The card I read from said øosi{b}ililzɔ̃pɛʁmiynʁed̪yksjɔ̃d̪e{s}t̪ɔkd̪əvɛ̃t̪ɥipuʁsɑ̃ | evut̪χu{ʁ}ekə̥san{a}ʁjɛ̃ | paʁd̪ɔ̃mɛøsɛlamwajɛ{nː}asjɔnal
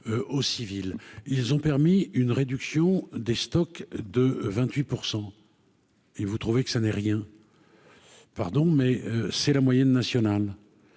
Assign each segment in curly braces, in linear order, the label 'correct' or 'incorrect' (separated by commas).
incorrect, correct, incorrect, incorrect, correct